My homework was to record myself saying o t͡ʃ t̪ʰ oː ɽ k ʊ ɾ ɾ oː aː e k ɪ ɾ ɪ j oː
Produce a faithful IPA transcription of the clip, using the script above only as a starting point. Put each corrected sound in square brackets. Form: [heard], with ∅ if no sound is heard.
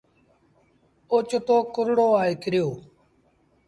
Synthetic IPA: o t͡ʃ [t̪] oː [∅] k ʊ ɾ [ɽ] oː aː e k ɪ ɾ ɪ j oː